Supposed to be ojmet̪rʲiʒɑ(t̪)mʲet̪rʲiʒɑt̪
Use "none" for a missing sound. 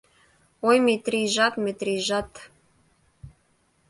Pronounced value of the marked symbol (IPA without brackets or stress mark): t̪